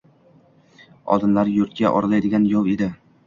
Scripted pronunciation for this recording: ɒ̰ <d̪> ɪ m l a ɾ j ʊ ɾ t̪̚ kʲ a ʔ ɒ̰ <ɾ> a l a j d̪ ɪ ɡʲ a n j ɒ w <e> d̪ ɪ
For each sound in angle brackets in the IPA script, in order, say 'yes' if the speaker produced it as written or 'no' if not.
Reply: yes, yes, yes

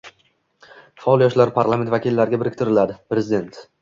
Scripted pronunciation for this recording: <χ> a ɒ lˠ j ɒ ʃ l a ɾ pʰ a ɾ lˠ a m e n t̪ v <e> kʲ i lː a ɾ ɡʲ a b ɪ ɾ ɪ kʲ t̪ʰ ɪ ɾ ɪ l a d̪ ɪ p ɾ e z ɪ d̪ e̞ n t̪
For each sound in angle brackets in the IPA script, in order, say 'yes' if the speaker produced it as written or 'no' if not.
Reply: no, no

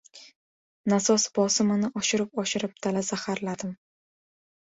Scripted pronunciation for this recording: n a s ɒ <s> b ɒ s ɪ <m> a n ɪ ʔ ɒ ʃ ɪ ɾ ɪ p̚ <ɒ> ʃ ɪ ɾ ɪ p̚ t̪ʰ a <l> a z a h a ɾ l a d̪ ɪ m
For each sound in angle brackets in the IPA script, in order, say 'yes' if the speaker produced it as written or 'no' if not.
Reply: yes, yes, yes, yes

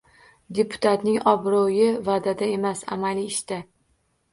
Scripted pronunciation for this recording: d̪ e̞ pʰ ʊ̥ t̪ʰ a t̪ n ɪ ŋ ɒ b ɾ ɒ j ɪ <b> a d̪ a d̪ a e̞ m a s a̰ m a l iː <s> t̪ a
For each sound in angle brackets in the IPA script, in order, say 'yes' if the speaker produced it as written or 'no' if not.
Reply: no, no

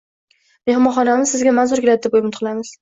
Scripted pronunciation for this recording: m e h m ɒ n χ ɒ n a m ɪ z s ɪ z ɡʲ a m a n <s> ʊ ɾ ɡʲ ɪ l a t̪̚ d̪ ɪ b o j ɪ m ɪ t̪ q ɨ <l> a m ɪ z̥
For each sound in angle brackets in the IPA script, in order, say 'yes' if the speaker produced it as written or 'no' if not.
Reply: no, yes

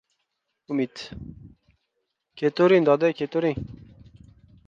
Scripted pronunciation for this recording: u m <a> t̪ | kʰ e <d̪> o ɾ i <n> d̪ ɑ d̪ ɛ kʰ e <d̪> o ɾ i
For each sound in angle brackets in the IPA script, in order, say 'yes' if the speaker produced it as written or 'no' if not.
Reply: no, no, yes, no

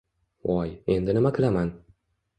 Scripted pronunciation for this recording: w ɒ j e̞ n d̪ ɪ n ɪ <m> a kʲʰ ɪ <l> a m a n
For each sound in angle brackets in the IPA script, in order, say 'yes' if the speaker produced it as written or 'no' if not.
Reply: yes, yes

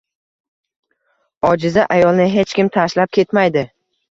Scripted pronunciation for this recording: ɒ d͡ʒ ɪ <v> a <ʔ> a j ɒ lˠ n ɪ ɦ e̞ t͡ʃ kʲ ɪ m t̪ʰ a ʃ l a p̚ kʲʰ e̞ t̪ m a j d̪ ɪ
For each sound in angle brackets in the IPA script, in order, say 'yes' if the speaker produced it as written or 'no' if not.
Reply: no, yes

